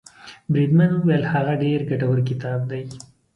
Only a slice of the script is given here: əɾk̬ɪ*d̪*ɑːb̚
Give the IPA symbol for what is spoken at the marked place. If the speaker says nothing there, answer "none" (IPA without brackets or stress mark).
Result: t̪